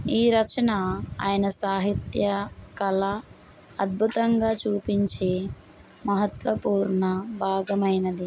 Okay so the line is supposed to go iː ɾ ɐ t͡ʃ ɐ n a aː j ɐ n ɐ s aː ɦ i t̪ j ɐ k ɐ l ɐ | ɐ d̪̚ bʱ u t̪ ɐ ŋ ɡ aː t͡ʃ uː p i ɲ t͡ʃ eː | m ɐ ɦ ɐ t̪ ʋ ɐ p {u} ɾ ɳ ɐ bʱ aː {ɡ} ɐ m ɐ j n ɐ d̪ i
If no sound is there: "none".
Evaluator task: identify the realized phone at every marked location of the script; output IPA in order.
uː, ɡ

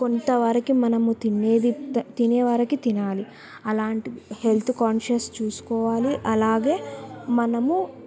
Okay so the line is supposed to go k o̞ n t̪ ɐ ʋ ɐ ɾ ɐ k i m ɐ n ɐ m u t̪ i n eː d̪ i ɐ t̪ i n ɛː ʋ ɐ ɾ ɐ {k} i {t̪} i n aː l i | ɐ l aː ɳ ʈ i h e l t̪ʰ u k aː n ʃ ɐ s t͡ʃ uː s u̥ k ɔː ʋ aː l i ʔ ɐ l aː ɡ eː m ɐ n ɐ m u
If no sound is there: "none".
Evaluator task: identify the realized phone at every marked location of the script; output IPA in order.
k, t̪

